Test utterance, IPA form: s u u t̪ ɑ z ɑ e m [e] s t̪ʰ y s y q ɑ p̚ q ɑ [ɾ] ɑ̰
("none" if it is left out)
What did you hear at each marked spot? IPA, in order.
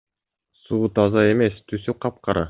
e, ɾ

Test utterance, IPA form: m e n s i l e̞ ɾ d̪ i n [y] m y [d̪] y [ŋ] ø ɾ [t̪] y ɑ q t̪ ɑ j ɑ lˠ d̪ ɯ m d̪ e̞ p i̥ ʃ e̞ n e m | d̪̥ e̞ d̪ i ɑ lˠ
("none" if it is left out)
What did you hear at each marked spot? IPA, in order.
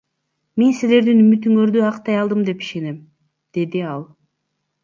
y, t̪, ŋ, d̪

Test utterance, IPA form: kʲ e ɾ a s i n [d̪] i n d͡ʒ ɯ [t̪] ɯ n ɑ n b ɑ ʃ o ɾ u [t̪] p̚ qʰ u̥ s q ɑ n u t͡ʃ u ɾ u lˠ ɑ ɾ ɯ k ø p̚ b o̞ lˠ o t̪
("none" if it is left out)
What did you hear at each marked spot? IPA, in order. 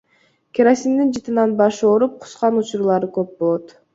d̪, t̪, none

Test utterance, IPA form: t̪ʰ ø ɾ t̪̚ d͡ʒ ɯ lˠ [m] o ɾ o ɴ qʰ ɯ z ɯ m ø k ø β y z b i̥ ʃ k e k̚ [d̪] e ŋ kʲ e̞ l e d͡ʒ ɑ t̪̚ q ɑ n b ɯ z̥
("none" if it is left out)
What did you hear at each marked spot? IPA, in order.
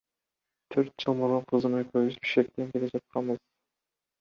m, t̪

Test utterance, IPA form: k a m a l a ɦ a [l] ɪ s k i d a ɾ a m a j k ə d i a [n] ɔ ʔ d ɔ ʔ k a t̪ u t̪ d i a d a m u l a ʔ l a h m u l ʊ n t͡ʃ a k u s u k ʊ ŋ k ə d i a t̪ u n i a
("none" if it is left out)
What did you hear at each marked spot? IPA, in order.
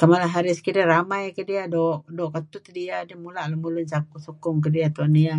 ɾ, d

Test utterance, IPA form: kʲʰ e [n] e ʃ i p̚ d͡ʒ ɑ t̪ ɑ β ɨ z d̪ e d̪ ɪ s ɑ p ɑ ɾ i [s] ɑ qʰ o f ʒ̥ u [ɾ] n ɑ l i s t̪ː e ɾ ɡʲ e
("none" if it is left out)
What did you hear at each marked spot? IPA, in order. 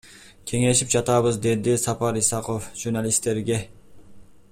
ŋ, s, ɾ

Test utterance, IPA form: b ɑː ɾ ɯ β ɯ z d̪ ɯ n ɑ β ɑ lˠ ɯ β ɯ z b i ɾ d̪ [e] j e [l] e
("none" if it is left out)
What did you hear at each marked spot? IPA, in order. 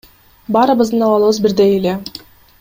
e, l

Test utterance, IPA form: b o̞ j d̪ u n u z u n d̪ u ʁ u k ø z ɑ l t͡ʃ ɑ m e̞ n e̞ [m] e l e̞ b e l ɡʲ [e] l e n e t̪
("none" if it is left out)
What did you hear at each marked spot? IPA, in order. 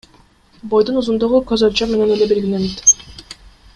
n, i

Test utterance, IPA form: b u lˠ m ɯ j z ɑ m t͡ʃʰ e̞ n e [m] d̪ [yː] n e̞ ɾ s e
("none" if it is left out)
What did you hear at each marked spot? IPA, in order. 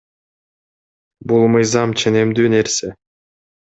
m, yː

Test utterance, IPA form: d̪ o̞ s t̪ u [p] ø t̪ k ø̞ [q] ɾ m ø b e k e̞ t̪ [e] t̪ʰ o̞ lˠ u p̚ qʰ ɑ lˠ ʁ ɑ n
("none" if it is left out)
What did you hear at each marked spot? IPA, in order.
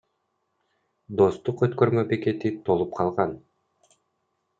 q, none, i

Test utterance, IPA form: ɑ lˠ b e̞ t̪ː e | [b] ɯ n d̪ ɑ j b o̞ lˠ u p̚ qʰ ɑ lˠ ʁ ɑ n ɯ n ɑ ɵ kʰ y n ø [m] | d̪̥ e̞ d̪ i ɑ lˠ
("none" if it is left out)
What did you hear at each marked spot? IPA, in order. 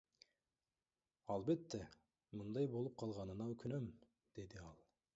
m, m

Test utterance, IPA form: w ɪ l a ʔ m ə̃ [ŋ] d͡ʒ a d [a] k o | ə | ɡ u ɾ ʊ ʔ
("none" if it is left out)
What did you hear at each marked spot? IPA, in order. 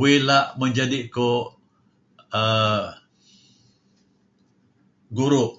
ɲ, i

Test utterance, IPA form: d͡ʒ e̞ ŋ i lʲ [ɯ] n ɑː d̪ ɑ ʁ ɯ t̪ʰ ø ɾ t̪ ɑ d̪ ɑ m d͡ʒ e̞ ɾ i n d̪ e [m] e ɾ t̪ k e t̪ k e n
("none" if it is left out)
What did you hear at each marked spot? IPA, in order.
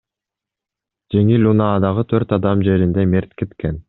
u, m

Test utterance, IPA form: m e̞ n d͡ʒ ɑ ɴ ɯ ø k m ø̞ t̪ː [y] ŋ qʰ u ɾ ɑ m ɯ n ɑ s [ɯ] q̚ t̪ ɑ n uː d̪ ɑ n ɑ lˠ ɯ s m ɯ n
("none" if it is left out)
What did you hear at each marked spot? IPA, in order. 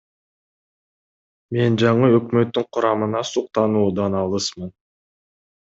y, u

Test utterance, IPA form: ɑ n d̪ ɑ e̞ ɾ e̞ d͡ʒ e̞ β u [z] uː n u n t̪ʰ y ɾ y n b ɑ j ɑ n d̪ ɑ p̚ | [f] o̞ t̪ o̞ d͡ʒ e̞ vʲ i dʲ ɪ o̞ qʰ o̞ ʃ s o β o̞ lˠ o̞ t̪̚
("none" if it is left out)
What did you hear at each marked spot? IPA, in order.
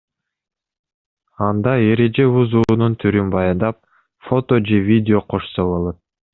z, f

